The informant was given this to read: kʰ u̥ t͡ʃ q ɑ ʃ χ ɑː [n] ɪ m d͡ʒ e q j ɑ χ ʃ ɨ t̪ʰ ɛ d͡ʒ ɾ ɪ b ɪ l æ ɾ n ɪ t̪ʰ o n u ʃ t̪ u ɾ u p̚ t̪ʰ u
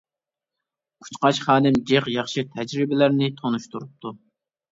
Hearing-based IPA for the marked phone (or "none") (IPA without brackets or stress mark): n